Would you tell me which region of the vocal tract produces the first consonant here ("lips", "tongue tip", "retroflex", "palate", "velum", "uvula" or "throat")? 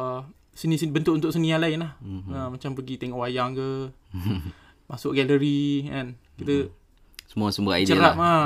tongue tip